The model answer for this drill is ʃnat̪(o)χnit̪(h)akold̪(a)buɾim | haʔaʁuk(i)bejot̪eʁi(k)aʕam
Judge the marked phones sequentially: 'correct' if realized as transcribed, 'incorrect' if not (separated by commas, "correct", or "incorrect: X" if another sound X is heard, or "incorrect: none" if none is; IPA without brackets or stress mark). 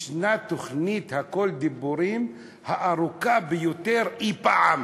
correct, correct, incorrect: i, incorrect: a, incorrect: p